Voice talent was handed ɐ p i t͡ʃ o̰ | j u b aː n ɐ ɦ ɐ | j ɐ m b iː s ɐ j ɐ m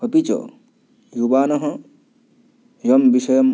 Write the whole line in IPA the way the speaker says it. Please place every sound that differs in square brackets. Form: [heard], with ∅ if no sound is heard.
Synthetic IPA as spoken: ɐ p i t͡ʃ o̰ | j u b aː n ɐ ɦ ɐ | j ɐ m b [i] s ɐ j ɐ m

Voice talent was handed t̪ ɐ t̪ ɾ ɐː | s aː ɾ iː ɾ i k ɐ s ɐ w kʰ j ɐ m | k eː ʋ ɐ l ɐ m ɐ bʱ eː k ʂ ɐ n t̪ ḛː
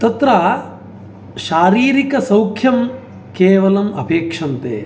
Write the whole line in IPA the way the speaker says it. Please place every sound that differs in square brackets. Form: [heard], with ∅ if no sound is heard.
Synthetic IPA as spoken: t̪ ɐ t̪ ɾ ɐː | [ʃ] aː ɾ iː ɾ i k ɐ s ɐ w kʰ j ɐ m | k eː ʋ ɐ l ɐ m ɐ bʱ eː k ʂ ɐ n t̪ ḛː

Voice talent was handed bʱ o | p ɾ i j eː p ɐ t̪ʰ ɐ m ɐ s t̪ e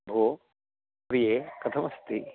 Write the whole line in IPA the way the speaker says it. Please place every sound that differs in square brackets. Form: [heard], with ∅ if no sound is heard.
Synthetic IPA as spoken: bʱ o | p ɾ i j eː [k] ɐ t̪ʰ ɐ m ɐ s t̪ [i]

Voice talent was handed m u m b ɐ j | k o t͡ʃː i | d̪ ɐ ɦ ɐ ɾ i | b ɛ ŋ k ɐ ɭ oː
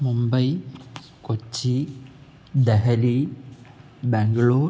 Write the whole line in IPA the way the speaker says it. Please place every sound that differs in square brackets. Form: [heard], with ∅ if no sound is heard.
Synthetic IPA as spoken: m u m b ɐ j | k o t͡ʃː i | d̪ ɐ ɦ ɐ [l] i | b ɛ ŋ [ɡ] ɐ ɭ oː

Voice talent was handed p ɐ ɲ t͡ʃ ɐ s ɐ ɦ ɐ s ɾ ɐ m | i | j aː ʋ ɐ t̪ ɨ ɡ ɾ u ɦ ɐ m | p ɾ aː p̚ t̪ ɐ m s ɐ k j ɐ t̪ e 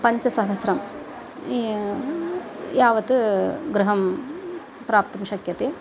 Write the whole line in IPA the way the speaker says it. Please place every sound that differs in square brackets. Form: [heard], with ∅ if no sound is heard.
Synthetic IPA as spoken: p ɐ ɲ t͡ʃ ɐ s ɐ ɦ ɐ s ɾ ɐ m | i | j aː ʋ ɐ t̪ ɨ ɡ ɾ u ɦ ɐ m | p ɾ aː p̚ t̪ ɐ m [ʃ] ɐ k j ɐ t̪ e

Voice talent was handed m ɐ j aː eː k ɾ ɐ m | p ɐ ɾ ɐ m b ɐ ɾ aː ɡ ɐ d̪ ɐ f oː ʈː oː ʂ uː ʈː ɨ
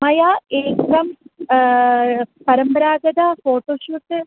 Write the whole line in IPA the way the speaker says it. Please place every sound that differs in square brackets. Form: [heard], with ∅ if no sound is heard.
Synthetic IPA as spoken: m ɐ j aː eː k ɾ ɐ m | p ɐ ɾ ɐ m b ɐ ɾ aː ɡ ɐ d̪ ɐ f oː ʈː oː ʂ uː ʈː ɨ

